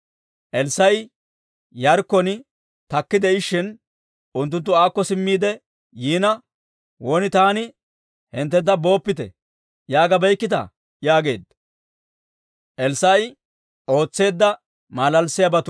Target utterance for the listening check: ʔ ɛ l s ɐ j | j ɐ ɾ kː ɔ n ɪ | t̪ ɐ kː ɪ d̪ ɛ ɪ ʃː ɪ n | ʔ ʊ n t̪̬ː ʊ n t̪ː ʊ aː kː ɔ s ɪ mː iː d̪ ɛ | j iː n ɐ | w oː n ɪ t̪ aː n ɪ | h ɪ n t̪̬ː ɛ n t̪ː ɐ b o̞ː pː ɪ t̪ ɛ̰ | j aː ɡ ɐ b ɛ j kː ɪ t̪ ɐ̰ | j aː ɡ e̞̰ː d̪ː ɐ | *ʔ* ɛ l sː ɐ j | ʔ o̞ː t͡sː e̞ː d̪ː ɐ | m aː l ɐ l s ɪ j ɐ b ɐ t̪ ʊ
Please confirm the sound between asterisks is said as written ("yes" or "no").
yes